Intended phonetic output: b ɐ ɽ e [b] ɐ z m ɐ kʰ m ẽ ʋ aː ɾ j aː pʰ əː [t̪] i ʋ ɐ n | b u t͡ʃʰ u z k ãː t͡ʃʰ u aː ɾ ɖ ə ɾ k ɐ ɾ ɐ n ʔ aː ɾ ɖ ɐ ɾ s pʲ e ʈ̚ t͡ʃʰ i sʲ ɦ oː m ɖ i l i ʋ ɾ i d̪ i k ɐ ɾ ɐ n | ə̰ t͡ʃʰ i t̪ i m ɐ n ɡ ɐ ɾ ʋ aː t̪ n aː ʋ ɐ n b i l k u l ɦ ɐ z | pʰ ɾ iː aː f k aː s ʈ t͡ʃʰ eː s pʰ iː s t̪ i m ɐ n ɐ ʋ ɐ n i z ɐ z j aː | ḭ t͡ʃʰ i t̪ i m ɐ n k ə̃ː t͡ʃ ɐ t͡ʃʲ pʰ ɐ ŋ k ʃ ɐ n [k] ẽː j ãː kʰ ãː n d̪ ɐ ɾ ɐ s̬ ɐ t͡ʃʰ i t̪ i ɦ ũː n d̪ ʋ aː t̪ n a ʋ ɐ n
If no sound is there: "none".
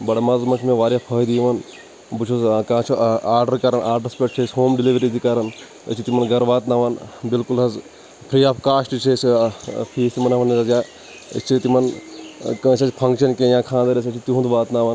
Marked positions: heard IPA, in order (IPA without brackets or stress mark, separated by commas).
m, d̪, k